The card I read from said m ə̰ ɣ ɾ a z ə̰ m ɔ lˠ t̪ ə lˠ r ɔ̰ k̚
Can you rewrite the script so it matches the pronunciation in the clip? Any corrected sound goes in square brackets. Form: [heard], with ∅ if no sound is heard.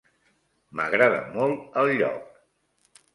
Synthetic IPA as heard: m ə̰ ɣ ɾ a [ð] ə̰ m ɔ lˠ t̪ ə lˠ [ʎ] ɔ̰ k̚